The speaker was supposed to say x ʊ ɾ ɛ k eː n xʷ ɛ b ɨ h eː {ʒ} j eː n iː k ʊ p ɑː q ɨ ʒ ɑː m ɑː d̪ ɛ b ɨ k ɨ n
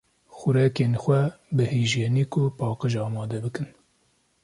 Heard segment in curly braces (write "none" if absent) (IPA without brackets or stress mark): ʒ